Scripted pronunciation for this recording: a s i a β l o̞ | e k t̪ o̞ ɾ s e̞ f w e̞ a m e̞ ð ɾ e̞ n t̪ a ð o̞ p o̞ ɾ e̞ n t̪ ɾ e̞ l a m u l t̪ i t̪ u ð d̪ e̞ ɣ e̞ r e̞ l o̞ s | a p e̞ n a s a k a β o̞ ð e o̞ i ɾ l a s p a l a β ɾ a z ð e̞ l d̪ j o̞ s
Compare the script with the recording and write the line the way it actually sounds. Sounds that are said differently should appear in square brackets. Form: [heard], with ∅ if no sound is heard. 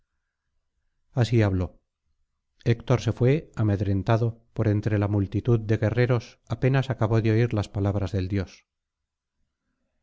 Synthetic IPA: a s i a β l o̞ | e k t̪ o̞ ɾ s e̞ f w e̞ a m e̞ ð ɾ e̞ n t̪ a ð o̞ p o̞ ɾ e̞ n t̪ ɾ e̞ l a m u l t̪ i t̪ u ð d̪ e̞ ɣ e̞ r e̞ [ɾ] o̞ s | a p e̞ n a s a k a β o̞ ð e o̞ i ɾ l a s p a l a β ɾ a z ð e̞ l d̪ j o̞ s